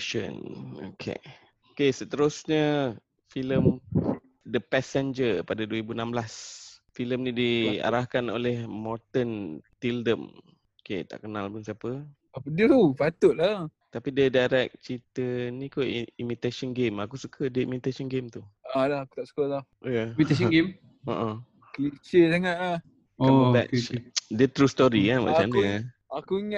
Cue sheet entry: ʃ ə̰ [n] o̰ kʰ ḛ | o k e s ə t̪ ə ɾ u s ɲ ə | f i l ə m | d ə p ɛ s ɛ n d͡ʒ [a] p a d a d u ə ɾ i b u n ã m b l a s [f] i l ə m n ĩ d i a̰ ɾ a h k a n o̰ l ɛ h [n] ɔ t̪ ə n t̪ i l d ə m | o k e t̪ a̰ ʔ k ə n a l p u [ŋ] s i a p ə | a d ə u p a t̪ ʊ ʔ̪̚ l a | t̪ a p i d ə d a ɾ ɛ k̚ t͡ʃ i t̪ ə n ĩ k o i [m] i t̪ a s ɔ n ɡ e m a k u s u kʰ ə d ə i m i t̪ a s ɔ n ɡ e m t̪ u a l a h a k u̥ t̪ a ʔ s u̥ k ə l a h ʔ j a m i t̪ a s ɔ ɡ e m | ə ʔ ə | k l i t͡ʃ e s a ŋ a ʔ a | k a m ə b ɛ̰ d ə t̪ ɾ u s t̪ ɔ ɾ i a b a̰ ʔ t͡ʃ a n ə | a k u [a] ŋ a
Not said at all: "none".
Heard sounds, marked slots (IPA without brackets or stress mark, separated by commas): n, ə, f, m, n, m, i